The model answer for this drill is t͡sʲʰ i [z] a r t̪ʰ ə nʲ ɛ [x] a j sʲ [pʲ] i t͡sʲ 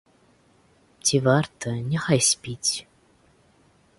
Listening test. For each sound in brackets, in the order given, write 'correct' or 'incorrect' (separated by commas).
incorrect, correct, correct